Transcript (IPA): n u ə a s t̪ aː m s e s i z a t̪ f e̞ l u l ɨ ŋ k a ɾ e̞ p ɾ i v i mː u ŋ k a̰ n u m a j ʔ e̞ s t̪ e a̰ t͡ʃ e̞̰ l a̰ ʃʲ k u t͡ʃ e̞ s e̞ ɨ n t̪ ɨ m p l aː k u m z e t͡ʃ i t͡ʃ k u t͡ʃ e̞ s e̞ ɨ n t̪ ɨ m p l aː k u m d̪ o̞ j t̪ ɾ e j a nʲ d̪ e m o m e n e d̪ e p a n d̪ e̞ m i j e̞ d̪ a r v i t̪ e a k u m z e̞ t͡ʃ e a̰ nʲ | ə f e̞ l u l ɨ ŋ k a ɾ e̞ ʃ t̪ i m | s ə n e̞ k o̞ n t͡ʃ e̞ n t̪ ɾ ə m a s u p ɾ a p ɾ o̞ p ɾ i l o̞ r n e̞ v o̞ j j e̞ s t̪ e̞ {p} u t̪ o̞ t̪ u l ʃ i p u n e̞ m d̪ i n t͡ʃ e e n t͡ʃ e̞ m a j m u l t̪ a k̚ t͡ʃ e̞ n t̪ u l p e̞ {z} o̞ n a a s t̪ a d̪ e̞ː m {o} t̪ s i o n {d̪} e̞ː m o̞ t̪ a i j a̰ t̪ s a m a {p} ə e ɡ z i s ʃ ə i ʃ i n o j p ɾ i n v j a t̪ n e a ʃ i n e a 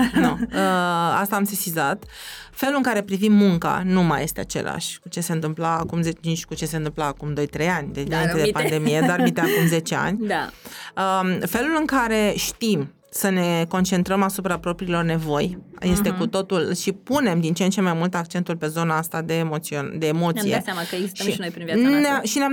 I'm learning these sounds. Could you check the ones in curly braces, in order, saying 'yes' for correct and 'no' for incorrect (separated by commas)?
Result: no, yes, yes, yes, no